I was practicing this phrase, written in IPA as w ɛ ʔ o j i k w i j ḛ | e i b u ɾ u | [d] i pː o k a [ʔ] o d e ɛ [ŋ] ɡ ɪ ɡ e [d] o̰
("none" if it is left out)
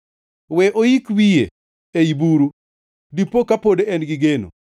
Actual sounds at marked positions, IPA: d, p, n, n

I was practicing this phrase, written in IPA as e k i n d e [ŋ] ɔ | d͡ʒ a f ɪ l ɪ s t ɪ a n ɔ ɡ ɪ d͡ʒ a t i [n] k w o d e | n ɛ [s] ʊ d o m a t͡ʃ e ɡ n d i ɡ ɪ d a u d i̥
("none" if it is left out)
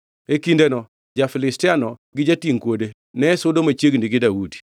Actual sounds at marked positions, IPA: n, ŋ, s

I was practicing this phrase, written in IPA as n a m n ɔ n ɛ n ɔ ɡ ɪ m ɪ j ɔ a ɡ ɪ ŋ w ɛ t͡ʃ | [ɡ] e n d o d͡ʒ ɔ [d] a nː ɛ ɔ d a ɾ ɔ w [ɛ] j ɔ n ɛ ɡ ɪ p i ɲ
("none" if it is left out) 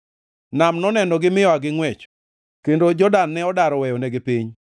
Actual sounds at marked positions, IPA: k, d, ɛ

